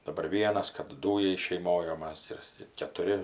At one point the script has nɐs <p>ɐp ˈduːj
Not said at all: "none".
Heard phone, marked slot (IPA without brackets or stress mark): k